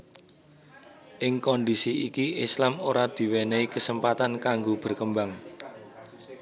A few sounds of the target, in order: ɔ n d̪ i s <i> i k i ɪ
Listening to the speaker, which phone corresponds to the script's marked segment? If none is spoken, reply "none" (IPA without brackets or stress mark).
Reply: i